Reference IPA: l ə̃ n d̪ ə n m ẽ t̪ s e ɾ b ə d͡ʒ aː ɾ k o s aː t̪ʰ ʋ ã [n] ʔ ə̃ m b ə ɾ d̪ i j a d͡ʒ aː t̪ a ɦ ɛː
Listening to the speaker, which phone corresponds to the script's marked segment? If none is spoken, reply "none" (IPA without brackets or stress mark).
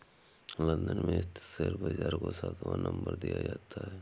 n